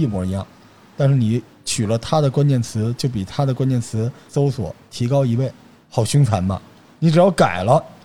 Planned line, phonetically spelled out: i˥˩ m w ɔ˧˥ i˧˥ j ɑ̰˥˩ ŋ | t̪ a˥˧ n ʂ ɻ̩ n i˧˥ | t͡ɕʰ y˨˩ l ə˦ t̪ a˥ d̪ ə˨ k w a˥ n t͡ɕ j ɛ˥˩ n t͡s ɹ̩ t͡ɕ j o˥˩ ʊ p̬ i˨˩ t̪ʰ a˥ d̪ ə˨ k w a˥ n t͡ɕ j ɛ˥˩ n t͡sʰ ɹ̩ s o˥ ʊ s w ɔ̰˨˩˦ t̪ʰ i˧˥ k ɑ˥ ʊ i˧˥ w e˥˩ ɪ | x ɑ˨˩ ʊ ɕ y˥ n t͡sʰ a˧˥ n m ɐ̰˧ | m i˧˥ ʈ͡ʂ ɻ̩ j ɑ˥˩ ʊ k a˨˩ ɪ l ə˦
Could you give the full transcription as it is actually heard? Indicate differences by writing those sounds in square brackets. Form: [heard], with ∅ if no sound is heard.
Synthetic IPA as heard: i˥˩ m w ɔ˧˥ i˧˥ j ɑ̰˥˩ ŋ | t̪ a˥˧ n ʂ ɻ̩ n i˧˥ | t͡ɕʰ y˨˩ l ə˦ [t̪ʰ] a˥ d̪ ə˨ k w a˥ n t͡ɕ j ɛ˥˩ n [t͡sʰ] ɹ̩ t͡ɕ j o˥˩ ʊ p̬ i˨˩ t̪ʰ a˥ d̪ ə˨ k w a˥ n t͡ɕ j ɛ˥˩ n t͡sʰ ɹ̩ s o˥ ʊ s w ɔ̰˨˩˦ t̪ʰ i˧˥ k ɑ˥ ʊ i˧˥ w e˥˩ ɪ | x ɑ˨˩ ʊ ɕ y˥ [ŋ] t͡sʰ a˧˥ n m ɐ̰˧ | [n] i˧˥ ʈ͡ʂ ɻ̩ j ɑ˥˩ ʊ k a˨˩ ɪ l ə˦